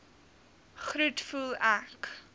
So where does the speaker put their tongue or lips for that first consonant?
uvula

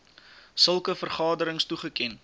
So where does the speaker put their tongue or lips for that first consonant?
tongue tip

